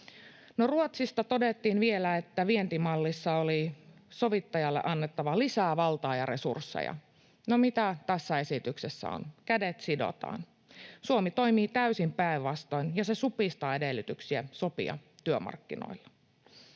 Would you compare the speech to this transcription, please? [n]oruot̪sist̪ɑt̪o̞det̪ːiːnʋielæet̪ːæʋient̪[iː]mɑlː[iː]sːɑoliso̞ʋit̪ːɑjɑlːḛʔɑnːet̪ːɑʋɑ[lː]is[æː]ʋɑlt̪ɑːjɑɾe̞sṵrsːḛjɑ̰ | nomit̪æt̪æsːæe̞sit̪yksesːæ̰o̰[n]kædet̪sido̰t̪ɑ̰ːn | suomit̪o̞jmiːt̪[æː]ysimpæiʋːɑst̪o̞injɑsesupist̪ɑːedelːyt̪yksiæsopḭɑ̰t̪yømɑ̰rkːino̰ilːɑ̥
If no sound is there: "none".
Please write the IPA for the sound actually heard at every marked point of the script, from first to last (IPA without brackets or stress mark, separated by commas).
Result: n, i, i, l, æː, n, æ